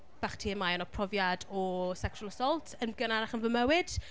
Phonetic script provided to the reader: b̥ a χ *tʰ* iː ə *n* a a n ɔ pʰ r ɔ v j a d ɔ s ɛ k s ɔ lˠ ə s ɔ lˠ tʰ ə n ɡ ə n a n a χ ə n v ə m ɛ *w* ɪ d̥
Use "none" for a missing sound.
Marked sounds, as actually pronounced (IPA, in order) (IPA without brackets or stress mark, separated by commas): tʰ, m, w